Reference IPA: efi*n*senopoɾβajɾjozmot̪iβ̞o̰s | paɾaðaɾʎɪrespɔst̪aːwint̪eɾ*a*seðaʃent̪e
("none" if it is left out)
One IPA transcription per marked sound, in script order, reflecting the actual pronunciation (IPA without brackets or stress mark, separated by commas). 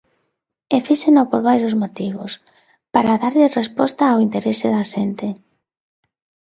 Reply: none, e